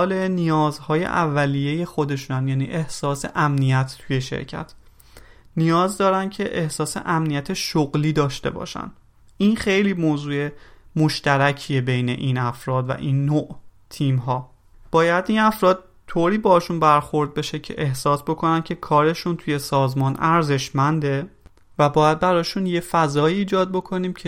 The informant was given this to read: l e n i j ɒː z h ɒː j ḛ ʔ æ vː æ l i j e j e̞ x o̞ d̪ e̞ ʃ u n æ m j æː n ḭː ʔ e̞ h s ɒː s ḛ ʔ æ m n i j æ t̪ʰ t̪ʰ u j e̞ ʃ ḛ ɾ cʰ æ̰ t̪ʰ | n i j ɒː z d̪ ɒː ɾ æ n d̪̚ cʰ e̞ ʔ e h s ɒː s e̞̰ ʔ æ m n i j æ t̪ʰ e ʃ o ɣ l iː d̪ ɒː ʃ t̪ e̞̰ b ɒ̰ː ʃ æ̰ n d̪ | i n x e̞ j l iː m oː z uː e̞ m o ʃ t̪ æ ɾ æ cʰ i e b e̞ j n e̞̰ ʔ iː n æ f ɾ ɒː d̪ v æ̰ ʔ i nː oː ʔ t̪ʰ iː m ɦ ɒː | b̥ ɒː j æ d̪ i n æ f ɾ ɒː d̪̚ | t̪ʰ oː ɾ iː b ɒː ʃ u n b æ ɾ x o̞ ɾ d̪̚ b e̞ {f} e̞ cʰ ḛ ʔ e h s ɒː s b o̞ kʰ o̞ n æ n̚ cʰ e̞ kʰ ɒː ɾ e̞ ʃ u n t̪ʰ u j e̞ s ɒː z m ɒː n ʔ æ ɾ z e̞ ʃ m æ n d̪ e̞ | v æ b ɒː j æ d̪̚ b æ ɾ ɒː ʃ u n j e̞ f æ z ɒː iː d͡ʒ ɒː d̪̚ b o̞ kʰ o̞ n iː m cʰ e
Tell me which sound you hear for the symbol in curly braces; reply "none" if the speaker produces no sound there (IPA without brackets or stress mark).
ʃ